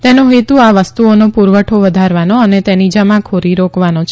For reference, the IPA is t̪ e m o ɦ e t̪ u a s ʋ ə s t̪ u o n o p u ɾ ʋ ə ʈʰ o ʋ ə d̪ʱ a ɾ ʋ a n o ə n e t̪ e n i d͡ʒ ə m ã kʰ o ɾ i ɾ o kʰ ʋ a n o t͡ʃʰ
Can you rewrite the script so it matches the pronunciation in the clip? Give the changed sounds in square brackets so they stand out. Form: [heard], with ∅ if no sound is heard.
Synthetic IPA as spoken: t̪ e [n] o ɦ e t̪ u a [∅] ʋ ə s t̪ u o n o p u ɾ ʋ ə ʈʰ o ʋ ə d̪ʱ a ɾ ʋ a n o ə n e t̪ e n i d͡ʒ ə m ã kʰ o ɾ i ɾ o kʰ ʋ a n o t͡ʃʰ